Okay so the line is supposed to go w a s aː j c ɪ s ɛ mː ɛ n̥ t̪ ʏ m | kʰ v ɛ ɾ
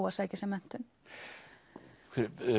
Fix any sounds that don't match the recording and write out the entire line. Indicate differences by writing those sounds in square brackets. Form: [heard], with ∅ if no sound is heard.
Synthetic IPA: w a s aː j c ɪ s ɛ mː ɛ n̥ t̪ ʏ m | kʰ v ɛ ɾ